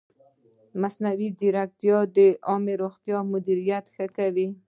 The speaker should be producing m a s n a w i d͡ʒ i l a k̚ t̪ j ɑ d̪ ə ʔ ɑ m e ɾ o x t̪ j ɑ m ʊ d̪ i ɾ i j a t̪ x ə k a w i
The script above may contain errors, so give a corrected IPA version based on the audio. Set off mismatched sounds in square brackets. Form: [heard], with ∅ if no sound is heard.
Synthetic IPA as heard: m a s n a w i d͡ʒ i [ɾ] a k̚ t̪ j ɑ d̪ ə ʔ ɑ m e ɾ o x t̪ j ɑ m ʊ d̪ i ɾ i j a t̪ x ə k a w i